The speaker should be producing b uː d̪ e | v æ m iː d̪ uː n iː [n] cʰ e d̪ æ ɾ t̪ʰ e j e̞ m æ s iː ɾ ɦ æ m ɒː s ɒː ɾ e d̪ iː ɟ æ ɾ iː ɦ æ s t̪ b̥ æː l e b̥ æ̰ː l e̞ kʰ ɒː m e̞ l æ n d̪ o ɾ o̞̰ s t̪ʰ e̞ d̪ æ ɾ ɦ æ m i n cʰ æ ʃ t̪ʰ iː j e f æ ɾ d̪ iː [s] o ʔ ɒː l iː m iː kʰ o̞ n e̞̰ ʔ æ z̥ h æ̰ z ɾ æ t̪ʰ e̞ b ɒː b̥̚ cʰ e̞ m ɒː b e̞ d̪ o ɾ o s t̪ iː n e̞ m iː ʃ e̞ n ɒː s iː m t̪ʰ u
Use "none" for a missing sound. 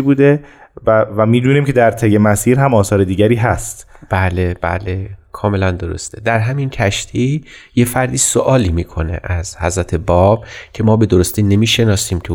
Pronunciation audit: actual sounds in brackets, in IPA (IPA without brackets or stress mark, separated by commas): m, s